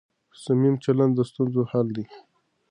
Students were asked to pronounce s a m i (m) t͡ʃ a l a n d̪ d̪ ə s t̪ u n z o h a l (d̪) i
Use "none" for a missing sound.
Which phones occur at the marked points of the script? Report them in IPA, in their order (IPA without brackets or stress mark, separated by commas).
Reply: m, d̪